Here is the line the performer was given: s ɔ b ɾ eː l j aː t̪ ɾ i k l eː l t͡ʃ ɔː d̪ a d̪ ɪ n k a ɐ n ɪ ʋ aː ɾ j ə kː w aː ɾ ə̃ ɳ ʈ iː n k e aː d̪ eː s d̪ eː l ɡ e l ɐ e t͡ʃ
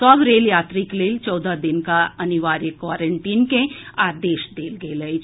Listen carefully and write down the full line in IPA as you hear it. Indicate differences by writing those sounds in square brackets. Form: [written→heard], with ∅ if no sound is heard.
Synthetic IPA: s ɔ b ɾ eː l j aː t̪ ɾ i k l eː l t͡ʃ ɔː d̪ a d̪ ɪ n k a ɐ n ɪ ʋ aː ɾ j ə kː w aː ɾ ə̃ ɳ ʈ iː n k e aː d̪ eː [s→ʃ] d̪ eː l ɡ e l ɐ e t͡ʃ